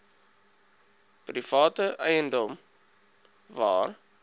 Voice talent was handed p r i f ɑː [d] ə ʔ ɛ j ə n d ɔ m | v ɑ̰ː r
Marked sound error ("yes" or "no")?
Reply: yes